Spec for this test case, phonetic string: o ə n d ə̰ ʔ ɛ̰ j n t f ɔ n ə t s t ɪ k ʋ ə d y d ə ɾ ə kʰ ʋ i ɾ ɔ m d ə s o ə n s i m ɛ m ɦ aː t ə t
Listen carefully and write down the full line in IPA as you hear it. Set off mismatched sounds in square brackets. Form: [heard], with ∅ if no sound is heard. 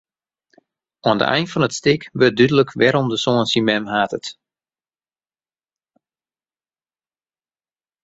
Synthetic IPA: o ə n d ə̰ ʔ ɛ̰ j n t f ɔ n ə t s t ɪ k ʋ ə d y d ə [l] ə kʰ ʋ [ɛ] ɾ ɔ m d ə s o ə n s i m ɛ m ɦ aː t ə t